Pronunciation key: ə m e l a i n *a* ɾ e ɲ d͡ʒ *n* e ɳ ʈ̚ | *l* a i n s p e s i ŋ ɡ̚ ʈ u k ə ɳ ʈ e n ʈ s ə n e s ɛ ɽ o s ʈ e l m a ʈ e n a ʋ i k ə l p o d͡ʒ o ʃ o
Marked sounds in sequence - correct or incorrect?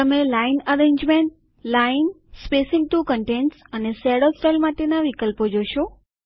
incorrect: ə, incorrect: m, correct

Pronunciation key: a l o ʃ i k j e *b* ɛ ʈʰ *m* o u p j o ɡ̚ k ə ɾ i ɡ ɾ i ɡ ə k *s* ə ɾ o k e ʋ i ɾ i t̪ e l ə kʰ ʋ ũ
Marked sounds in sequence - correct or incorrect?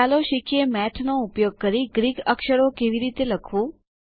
incorrect: m, incorrect: n, incorrect: ʃ

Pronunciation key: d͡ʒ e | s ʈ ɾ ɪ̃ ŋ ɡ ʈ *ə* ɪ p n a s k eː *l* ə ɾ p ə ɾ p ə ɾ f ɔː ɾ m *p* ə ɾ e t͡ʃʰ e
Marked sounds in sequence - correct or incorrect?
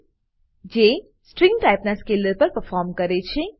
incorrect: a, correct, incorrect: k

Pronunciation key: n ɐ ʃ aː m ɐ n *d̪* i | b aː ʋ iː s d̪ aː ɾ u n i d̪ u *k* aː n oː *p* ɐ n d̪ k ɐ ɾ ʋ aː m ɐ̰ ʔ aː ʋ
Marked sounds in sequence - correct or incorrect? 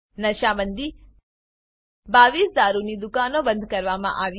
correct, correct, incorrect: b

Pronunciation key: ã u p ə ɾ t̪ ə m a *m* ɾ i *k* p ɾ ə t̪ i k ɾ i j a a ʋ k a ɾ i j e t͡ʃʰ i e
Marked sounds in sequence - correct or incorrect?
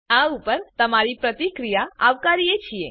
incorrect: none, incorrect: none

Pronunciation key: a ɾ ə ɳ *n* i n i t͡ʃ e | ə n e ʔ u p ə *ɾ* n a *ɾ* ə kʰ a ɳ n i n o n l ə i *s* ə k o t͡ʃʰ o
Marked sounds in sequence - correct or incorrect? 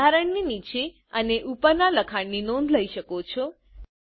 correct, correct, incorrect: l, incorrect: ʃ

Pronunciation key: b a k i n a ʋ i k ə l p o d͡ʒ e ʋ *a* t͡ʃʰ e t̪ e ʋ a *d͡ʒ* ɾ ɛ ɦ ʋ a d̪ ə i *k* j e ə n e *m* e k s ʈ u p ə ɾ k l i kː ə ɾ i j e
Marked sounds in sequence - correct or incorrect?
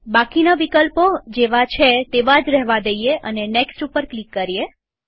correct, correct, incorrect: none, incorrect: n

